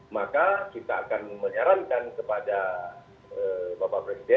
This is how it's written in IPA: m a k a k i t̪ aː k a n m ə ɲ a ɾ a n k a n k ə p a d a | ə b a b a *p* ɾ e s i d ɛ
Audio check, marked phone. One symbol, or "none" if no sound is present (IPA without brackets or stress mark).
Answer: p